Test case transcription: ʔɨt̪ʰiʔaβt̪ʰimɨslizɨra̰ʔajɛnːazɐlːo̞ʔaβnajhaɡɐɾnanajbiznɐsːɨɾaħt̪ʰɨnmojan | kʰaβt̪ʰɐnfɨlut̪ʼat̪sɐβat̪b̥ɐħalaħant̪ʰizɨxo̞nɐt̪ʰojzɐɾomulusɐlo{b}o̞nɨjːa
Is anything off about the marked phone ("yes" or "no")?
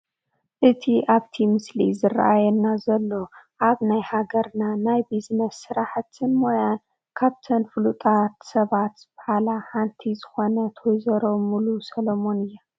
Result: yes